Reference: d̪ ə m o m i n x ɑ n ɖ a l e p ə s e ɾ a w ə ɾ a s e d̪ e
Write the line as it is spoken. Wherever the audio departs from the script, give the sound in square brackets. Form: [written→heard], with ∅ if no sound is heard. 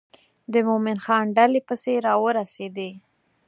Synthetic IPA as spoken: d̪ ə m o m [i→ɪ] n x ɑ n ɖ a l e p ə s e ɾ [a→ɑ] w ə ɾ a s e d̪ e